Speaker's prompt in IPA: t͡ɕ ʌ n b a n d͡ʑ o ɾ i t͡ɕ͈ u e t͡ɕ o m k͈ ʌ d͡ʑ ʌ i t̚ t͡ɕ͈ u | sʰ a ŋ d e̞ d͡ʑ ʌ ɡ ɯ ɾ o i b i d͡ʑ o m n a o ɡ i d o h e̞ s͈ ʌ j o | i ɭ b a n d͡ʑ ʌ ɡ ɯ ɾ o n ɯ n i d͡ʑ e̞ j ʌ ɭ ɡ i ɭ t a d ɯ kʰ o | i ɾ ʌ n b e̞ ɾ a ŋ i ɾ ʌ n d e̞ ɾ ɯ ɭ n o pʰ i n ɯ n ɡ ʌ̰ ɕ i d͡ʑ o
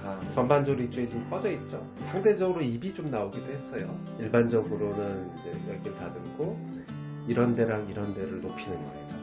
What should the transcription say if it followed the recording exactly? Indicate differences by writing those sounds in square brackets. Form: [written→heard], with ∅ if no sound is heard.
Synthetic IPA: t͡ɕ ʌ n b a n d͡ʑ o ɾ i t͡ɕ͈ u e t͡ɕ o m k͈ ʌ d͡ʑ ʌ i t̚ t͡ɕ͈ [u→o] | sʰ a ŋ d e̞ d͡ʑ ʌ ɡ ɯ ɾ o i b i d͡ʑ o m n a o ɡ i d o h e̞ s͈ ʌ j o | i ɭ b a n d͡ʑ ʌ ɡ ɯ ɾ o n ɯ n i d͡ʑ e̞ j ʌ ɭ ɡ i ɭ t a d ɯ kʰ o | i ɾ ʌ n [b→d] e̞ ɾ a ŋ i ɾ ʌ n d e̞ ɾ ɯ ɭ n o pʰ i n ɯ n ɡ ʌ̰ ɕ i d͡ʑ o